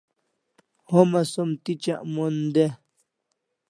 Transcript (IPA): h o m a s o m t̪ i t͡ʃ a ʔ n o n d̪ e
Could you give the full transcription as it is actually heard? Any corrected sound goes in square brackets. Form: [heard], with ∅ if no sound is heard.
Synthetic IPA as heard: h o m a s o m t̪ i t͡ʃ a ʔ [m] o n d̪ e